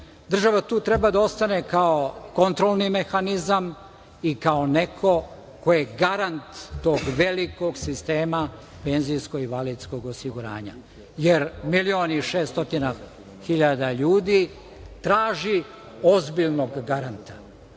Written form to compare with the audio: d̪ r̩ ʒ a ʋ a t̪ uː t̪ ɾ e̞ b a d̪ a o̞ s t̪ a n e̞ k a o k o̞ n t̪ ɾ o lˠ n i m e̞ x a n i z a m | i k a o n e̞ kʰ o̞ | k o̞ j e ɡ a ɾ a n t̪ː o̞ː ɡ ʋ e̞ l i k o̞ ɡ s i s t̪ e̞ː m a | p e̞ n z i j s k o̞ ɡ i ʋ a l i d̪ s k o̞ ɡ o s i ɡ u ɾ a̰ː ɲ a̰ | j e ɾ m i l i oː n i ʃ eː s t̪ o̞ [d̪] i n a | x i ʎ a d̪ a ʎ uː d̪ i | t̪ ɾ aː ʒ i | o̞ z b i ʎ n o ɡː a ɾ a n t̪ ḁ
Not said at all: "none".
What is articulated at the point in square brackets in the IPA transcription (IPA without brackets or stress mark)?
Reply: t̪